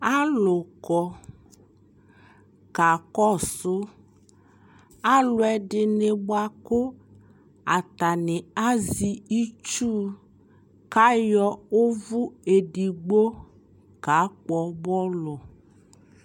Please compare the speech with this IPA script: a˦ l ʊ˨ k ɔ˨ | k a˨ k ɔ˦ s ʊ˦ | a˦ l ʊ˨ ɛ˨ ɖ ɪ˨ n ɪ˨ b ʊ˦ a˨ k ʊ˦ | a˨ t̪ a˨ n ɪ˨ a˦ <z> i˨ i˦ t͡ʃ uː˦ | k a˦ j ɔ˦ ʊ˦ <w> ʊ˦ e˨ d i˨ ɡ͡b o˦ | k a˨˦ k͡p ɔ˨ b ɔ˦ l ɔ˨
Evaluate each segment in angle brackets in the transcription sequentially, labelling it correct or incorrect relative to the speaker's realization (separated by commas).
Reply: correct, incorrect